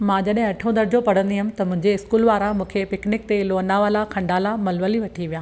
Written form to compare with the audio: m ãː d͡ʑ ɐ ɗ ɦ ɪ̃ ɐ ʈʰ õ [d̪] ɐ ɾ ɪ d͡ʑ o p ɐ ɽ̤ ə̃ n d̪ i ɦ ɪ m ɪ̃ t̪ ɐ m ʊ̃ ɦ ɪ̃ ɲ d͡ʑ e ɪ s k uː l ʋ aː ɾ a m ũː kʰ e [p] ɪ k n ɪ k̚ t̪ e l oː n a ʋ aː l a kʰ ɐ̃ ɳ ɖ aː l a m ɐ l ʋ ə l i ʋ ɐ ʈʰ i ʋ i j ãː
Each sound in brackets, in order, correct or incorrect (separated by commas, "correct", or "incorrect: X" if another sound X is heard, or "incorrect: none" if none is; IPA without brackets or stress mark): correct, correct